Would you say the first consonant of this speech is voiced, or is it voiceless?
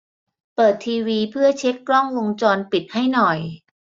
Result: voiceless